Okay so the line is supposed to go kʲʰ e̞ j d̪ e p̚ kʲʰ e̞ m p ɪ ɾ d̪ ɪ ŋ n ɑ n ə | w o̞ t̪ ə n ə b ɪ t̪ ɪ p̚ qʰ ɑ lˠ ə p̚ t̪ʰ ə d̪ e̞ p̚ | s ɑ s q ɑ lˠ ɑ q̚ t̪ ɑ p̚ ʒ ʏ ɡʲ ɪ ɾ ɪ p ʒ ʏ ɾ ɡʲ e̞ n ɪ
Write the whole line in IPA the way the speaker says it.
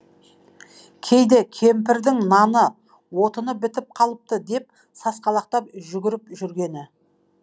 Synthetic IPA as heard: kʲʰ e̞ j d̪ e kʲʰ e̞ m p ɪ ɾ d̪ ɪ ŋ n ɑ n ə | w o̞ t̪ ə n ə b ɪ t̪ ɪ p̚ qʰ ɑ lˠ ə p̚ t̪ ə d̪ e̞ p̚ | s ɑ s q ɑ lˠ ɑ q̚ t̪ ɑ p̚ ʒ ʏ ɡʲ ɪ ɾ ɪ p ʒ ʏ ɾ ɡʲ e̞ n ɪ